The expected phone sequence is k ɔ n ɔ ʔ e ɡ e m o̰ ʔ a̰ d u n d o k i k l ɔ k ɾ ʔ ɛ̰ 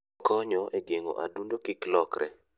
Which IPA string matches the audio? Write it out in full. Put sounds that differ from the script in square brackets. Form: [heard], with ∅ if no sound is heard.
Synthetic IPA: k ɔ [ɲ] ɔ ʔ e ɡ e [ŋ] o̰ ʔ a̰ d u n d o k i k l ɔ k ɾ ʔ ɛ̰